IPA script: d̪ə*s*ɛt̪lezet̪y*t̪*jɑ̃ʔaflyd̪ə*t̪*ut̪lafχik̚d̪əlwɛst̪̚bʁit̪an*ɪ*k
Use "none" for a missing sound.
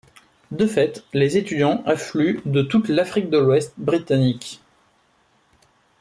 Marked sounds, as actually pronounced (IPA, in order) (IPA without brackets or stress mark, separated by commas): f, d̪, t̪, i